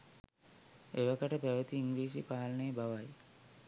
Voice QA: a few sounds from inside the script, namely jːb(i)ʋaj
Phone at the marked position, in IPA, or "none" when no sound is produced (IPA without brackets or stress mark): a